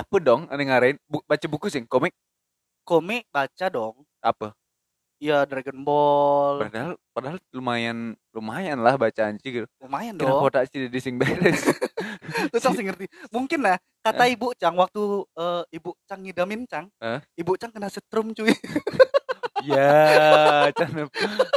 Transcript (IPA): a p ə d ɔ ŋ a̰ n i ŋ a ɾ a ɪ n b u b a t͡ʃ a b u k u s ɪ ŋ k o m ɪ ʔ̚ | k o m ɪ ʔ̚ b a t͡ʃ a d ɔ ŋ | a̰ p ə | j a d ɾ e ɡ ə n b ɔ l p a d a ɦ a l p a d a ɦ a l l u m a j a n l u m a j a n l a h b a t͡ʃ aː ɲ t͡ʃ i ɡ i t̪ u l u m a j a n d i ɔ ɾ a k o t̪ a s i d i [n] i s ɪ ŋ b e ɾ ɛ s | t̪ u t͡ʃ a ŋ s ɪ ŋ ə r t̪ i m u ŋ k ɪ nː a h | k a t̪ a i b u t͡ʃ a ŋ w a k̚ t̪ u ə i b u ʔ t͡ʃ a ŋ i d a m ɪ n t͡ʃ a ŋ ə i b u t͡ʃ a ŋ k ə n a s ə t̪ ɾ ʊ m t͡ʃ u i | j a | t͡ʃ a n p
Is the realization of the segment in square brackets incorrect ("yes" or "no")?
yes